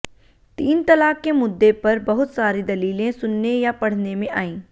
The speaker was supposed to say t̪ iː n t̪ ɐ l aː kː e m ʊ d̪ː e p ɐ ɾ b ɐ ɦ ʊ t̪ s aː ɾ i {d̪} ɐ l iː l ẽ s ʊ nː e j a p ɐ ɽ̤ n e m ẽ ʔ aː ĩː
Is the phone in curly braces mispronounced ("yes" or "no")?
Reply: no